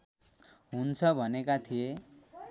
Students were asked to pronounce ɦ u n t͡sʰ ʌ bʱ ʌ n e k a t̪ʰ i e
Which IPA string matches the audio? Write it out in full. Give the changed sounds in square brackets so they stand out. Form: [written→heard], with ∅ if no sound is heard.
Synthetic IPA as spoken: ɦ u n t͡sʰ ʌ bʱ ʌ n e k a t̪ʰ i e